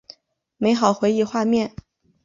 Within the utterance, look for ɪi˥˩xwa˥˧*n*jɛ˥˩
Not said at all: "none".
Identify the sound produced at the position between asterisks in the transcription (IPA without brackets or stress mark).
m